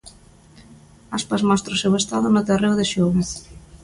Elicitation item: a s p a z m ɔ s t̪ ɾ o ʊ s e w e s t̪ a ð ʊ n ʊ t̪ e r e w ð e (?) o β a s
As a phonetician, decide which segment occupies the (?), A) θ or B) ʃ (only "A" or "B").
B